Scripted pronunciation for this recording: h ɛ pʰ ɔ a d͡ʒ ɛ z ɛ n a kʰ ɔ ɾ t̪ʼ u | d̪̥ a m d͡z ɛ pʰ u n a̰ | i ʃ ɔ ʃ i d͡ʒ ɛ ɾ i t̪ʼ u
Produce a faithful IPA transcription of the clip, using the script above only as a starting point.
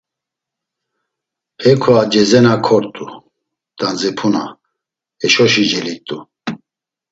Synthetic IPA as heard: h ɛ kʰ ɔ a d͡ʒ ɛ z ɛ n a kʰ ɔ ɾ t̪ʼ u | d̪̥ a n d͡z ɛ pʰ u n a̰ | ɛ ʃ ɔ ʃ i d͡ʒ ɛ l i t̪ʼ u